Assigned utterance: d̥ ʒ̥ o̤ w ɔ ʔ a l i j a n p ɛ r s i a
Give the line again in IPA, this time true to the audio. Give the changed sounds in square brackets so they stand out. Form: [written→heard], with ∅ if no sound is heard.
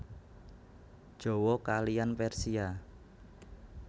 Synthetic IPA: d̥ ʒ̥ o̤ w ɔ [ʔ→k] a l i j a n p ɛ r s i a